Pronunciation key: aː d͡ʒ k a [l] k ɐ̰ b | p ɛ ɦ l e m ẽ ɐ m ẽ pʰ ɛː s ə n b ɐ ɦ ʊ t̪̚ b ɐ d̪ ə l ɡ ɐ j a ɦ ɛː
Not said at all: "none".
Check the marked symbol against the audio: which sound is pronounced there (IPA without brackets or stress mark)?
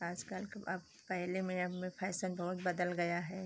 l